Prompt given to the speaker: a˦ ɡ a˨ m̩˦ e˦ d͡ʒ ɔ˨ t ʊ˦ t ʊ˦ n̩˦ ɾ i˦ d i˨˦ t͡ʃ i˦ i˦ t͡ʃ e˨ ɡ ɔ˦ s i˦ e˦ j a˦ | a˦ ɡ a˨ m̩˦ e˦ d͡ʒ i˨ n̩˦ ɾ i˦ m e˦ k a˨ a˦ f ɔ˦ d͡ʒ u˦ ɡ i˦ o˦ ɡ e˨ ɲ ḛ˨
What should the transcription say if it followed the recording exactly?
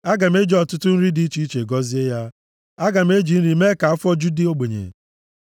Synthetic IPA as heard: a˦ ɡ a˨ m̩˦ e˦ d͡ʒ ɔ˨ t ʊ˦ t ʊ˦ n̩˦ ɾ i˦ d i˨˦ t͡ʃ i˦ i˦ t͡ʃ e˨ ɡ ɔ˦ z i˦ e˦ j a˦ | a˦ ɡ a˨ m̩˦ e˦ d͡ʒ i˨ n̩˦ ɾ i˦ m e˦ k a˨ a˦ f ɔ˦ d͡ʒ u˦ d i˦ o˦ ɡ͡b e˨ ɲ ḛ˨